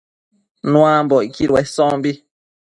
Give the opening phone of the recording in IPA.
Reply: n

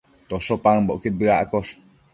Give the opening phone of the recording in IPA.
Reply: t̪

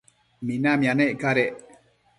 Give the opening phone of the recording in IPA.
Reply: m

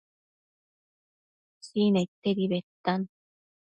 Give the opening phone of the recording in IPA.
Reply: s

